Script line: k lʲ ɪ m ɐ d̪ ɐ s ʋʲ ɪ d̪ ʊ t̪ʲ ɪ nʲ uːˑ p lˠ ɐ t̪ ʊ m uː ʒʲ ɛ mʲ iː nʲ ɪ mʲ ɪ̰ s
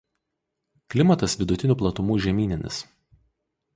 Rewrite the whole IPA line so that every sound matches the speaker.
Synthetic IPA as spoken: k lʲ ɪ m ɐ t̪ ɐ s ʋʲ ɪ d̪ ʊ t̪ʲ ɪ nʲ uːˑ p lˠ ɐ t̪ ʊ m uː ʒʲ ɛ mʲ iː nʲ ɪ nʲ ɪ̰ s